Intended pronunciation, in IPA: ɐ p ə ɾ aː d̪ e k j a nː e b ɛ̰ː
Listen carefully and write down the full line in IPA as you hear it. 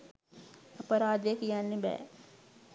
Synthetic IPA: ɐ p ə ɾ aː d̪ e k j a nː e b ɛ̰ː